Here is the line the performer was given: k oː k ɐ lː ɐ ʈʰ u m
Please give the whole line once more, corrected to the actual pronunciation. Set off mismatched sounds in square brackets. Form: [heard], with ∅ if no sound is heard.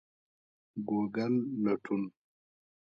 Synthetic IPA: [ɡ] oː [ɡ] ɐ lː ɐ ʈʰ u [n]